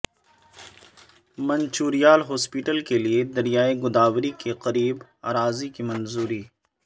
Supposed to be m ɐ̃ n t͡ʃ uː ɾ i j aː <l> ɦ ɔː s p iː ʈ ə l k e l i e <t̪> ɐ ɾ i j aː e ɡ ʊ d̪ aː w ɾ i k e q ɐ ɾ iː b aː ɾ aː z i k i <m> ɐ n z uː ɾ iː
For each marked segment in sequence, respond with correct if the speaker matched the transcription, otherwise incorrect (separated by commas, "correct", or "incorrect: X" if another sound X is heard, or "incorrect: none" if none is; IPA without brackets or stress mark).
correct, incorrect: d̪, correct